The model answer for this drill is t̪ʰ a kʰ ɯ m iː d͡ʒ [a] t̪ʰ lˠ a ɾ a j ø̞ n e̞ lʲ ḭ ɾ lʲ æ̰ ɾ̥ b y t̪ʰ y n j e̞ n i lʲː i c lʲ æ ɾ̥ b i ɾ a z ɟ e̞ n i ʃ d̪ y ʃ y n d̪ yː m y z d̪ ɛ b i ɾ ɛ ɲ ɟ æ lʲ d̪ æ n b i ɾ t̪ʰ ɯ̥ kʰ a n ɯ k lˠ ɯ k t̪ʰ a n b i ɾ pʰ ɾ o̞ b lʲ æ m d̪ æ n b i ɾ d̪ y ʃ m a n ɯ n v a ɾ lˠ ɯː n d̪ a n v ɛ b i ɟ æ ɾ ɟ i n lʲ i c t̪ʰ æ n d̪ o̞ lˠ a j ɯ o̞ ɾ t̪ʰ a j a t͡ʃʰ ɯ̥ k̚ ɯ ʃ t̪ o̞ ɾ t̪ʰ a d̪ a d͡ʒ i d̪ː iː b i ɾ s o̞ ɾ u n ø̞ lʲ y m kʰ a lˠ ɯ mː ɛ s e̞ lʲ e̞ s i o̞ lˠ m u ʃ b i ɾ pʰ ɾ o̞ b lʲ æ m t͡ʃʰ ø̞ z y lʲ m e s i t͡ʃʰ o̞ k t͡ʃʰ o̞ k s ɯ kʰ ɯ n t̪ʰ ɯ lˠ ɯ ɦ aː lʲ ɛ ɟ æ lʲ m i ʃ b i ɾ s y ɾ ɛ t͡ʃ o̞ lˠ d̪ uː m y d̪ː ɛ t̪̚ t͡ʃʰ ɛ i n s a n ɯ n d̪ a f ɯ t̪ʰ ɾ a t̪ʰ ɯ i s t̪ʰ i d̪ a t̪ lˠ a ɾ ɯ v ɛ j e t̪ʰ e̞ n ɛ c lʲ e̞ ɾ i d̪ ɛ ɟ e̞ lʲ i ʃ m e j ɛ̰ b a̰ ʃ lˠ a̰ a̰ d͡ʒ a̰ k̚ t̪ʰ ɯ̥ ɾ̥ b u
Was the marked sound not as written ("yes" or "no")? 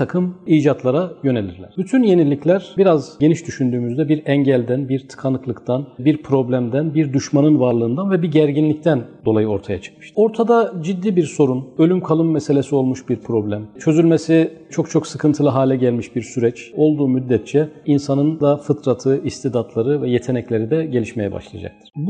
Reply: no